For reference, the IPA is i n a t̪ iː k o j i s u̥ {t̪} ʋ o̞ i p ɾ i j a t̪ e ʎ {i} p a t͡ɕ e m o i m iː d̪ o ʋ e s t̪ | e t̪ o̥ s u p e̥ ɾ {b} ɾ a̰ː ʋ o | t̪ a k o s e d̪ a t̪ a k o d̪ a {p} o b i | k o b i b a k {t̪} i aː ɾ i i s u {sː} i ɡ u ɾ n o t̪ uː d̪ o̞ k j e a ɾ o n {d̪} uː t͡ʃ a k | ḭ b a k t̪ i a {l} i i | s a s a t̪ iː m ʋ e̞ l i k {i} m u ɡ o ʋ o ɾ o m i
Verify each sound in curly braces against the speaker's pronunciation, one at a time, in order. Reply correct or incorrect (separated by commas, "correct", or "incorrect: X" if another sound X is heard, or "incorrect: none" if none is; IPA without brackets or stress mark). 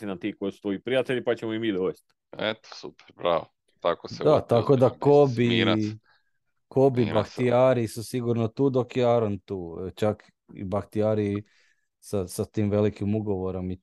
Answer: correct, correct, correct, incorrect: k, correct, incorrect: s, incorrect: t̪, incorrect: ɾ, correct